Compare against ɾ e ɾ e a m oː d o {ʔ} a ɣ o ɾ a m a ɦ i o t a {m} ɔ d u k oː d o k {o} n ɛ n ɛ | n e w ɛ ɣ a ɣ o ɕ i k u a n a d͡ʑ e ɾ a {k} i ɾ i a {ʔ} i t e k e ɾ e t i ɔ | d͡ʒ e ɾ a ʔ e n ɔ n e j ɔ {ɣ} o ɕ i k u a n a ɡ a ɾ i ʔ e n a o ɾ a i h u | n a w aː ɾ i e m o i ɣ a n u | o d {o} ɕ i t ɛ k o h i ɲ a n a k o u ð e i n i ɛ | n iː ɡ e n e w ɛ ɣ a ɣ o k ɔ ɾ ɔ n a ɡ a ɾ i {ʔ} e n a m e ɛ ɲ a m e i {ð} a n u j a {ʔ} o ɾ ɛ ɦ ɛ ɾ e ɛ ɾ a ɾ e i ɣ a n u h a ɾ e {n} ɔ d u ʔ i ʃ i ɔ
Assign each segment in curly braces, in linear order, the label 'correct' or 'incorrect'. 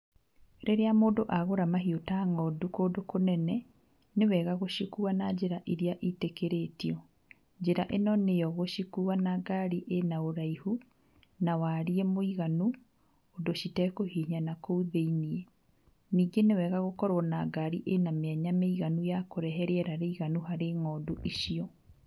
correct, incorrect: ŋ, correct, incorrect: ʔ, correct, correct, correct, correct, incorrect: ɣ, incorrect: k, incorrect: ŋ

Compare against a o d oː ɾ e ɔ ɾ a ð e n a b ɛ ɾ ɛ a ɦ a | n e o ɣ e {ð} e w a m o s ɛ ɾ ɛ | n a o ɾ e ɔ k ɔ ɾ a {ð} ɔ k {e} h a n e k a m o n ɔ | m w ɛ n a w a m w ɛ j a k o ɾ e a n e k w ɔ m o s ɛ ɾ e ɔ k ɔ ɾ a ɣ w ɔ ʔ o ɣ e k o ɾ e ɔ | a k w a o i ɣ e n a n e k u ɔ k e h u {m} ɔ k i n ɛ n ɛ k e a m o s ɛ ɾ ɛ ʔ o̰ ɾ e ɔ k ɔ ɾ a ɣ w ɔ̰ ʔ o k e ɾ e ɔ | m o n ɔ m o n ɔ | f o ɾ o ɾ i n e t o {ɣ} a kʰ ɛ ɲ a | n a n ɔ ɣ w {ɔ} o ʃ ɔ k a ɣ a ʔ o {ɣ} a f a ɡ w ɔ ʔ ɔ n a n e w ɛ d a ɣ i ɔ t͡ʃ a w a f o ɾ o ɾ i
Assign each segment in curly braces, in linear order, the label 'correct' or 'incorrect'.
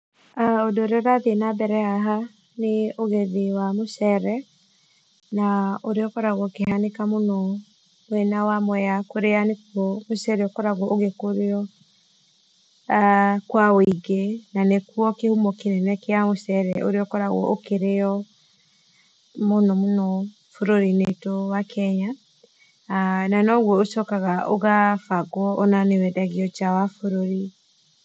correct, incorrect: ɣ, correct, correct, incorrect: w, correct, correct

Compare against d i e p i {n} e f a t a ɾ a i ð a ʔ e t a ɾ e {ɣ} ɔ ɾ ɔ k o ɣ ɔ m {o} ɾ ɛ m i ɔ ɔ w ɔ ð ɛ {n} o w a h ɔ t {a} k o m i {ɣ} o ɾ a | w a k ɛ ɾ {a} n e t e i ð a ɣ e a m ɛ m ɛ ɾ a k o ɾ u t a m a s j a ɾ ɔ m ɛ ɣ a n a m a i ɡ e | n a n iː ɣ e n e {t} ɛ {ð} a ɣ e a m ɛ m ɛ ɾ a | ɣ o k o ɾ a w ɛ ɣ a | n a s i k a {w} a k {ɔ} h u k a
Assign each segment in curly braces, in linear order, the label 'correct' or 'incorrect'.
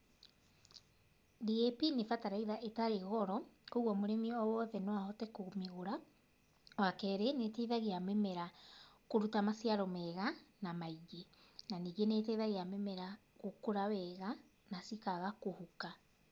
correct, correct, correct, correct, incorrect: ɛ, correct, incorrect: e, correct, correct, incorrect: ɣ, incorrect: o

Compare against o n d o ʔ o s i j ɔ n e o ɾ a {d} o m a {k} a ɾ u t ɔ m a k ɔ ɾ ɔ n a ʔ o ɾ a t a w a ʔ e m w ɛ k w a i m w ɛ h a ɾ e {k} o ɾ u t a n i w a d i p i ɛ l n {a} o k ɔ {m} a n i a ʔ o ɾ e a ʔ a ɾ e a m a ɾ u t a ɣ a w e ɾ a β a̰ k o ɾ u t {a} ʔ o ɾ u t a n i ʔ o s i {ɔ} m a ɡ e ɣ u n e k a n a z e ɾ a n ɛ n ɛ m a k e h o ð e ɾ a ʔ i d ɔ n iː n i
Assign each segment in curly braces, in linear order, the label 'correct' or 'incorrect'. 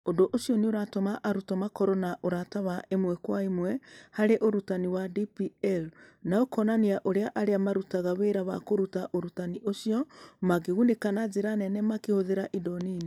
incorrect: t, incorrect: ʔ, incorrect: ʔ, correct, incorrect: n, correct, correct

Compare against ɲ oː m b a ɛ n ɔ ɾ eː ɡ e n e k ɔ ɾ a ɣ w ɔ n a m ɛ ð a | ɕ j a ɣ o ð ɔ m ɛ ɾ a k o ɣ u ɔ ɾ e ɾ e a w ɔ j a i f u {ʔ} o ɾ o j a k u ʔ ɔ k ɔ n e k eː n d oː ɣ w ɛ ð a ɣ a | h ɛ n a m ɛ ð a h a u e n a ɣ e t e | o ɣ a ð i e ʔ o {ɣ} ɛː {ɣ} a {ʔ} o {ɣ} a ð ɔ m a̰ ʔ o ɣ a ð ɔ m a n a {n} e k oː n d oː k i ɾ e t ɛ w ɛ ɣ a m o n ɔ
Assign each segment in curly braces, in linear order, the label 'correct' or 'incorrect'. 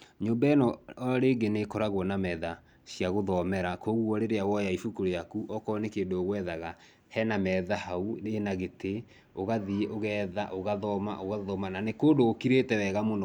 incorrect: k, correct, incorrect: ð, correct, correct, correct

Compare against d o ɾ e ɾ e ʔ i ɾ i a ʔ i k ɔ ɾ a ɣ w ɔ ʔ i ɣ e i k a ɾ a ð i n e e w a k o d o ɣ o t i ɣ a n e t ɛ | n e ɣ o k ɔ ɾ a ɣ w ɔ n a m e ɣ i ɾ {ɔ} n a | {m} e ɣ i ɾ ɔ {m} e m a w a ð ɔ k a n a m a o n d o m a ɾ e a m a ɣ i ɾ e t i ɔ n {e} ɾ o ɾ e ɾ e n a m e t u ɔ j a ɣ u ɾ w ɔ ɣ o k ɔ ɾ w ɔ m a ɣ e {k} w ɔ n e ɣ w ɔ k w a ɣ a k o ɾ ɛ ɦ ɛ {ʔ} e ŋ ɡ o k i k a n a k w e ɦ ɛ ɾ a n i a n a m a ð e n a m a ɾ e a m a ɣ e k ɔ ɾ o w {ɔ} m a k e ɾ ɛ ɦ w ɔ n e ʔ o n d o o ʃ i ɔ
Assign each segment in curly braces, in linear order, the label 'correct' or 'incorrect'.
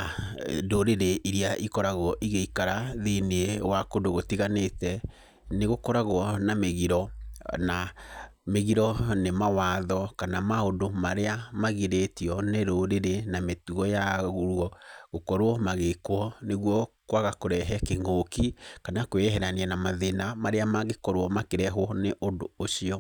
correct, correct, incorrect: n, correct, correct, incorrect: k, correct

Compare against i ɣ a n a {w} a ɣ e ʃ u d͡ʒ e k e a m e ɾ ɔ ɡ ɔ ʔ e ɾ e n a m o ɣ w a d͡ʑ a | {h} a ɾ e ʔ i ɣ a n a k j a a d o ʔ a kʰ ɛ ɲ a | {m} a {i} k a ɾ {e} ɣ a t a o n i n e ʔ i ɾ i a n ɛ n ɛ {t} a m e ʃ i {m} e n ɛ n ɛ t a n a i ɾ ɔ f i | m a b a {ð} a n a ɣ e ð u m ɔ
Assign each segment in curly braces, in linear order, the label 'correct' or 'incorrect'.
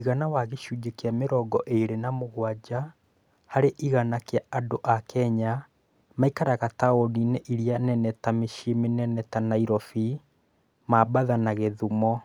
correct, correct, correct, correct, incorrect: a, correct, correct, correct

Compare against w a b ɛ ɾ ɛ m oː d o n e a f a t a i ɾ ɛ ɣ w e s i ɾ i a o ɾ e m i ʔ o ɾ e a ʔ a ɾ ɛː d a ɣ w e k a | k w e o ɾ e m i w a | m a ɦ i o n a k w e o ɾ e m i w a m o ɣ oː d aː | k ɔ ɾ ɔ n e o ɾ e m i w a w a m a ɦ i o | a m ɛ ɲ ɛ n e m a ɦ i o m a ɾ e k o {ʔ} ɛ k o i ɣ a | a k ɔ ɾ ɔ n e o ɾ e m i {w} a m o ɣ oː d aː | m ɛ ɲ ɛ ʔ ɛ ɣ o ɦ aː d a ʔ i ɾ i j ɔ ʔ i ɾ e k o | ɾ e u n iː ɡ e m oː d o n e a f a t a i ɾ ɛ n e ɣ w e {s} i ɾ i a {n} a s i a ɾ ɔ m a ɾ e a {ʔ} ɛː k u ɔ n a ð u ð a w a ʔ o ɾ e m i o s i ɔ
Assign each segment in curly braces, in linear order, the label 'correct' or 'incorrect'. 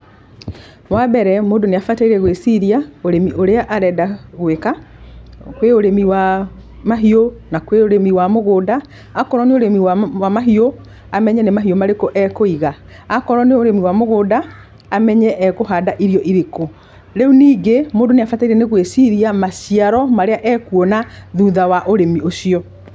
correct, correct, correct, incorrect: m, correct

